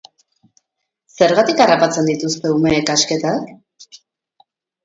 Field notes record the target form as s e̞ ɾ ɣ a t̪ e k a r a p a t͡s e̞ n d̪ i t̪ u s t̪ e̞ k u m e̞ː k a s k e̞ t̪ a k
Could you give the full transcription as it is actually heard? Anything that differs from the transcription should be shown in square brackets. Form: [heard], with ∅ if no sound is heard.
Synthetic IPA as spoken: s e̞ ɾ ɣ a t̪ [i] k a r a p a t͡s e̞ n d̪ i t̪ u s t̪ e̞ [∅] u m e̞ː k a s k e̞ t̪ a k